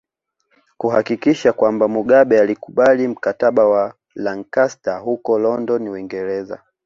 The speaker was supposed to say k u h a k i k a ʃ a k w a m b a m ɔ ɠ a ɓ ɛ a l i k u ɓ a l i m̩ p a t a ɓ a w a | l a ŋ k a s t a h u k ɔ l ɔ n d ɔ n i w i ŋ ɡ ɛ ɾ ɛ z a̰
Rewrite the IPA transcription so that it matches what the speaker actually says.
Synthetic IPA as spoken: k u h a k i k i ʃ a k w a m b a m u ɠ a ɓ ɛ a l i k u ɓ a l i m̩ k a t a ɓ a w a | l a ŋ k a s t a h u k ɔ l ɔ n d ɔ n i w i ŋ ɡ ɛ ɾ ɛ z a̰

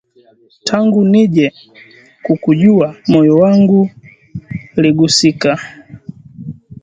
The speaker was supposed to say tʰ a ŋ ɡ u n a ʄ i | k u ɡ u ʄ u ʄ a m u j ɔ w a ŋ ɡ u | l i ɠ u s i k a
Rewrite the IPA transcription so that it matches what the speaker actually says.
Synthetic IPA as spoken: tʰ a ŋ ɡ u n i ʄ ɛ | k u k u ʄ u a m ɔ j ɔ w a ŋ ɡ u | l i ɡ u s i k a

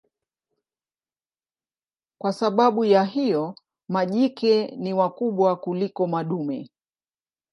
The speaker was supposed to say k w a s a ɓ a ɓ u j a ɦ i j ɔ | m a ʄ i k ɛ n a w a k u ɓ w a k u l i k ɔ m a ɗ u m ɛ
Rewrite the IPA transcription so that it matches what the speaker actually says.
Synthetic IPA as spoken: k w a s a ɓ a ɓ u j a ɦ i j ɔ | m a ʄ i k ɛ n i w a k u ɓ w a k u l i k ɔ m a ɗ u m ɛ

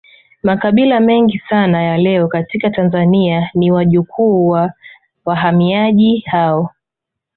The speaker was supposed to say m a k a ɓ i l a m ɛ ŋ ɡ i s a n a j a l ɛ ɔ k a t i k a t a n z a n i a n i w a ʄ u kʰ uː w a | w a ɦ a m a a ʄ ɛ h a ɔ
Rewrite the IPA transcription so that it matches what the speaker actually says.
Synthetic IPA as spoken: m a k a ɓ i l a m ɛ ŋ ɡ i s a n a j a l ɛ ɔ k a t i k a t a n z a n i a n i w a ʄ u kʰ uː w a | w a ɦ a m i a ʄ i h a ɔ

